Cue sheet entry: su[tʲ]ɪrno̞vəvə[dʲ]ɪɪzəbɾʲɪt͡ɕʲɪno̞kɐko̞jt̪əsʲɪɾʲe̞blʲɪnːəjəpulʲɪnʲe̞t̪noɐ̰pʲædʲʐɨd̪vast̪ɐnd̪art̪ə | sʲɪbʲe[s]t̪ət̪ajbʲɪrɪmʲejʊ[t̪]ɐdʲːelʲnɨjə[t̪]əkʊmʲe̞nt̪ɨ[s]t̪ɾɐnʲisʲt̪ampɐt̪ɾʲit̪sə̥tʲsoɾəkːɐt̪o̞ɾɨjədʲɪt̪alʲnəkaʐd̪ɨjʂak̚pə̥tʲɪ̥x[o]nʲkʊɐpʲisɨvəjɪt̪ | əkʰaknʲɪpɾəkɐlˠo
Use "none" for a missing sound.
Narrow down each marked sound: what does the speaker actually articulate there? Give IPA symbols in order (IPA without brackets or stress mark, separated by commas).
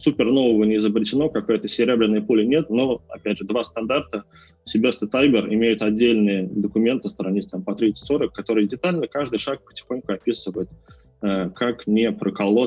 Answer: pʲ, nʲ, s, t̪, d̪, s, o